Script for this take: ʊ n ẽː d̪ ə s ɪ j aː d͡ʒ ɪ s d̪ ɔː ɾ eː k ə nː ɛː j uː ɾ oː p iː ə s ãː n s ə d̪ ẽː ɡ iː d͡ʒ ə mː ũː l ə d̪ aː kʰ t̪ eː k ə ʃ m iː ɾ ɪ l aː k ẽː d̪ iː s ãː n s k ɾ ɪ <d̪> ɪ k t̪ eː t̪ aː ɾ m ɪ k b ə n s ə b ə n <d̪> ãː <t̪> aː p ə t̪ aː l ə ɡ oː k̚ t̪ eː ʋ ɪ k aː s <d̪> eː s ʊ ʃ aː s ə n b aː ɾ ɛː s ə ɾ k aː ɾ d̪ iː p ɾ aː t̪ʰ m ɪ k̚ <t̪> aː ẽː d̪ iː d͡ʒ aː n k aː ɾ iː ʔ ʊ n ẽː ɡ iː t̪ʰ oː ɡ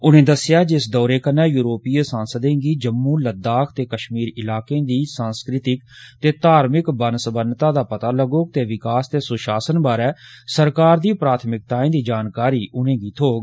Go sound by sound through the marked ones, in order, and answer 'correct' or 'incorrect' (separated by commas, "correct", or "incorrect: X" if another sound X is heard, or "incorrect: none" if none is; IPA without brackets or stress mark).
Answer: incorrect: t̪, incorrect: t̪, incorrect: d̪, incorrect: t̪, correct